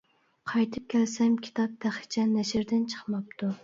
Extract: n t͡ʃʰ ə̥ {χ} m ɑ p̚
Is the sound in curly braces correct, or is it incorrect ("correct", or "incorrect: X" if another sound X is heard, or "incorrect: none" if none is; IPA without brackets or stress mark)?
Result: correct